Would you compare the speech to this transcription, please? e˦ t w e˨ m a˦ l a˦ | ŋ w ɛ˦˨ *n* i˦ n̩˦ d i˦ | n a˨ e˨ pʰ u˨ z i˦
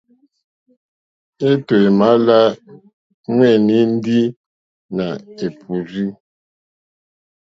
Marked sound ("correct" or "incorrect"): correct